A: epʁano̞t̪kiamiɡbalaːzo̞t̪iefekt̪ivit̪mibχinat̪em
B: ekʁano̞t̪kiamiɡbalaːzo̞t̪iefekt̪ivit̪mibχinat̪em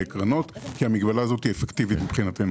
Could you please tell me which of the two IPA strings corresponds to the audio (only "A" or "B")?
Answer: B